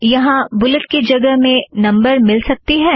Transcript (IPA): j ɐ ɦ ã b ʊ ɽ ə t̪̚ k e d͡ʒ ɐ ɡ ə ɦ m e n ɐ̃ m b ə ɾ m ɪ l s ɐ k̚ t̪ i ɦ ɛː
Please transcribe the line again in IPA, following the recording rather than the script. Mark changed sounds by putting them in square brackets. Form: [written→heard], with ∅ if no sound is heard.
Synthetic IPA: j ɐ ɦ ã b ʊ [ɽ→l] ə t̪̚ k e d͡ʒ ɐ ɡ ə ɦ m [e→ẽ] n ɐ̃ m b ə ɾ m ɪ l s ɐ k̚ t̪ i ɦ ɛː